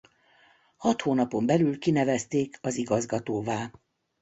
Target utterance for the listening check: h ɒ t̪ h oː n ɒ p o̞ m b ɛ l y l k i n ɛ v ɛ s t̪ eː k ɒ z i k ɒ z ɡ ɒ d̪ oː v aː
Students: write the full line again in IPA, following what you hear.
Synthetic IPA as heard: h ɒ t̪ h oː n ɒ p o̞ m b ɛ l y l k i n ɛ v ɛ s t̪ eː k ɒ z i ɡ ɒ z ɡ ɒ t̪ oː v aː